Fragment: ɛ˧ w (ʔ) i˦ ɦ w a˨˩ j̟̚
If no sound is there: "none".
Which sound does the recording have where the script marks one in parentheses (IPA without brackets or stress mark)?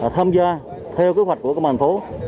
k